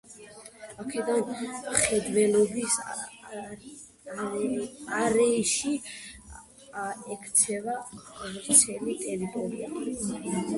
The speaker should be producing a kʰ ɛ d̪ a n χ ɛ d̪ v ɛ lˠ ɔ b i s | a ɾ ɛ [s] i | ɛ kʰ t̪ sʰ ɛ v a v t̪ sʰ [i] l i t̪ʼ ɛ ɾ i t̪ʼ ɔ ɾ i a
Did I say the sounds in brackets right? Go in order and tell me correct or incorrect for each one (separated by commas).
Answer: incorrect, incorrect